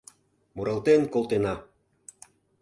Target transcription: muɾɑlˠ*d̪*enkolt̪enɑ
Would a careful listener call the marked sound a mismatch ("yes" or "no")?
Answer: yes